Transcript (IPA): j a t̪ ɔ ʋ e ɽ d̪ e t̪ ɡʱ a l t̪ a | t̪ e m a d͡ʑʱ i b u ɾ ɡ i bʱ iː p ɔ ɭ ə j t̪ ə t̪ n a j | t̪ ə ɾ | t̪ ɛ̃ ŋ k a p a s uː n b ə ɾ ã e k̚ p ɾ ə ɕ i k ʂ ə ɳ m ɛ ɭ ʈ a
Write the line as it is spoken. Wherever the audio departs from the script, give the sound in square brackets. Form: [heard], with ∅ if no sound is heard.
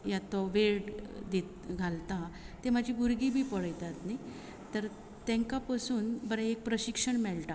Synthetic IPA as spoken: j a t̪ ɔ ʋ e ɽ d̪ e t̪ ɡʱ a l t̪ a | t̪ e m a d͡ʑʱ i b u ɾ ɡ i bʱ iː p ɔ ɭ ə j t̪ [a] t̪ n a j | t̪ ə ɾ | t̪ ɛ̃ ŋ k a p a s uː n b ə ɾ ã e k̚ p ɾ ə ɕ i k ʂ ə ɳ m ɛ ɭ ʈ a